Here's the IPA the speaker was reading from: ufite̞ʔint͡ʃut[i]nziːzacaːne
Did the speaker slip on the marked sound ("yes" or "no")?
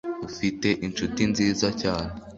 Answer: no